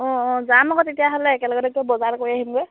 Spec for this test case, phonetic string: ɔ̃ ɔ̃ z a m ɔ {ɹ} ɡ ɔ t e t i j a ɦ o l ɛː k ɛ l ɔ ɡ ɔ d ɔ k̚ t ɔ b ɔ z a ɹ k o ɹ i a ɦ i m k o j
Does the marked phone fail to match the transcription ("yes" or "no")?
yes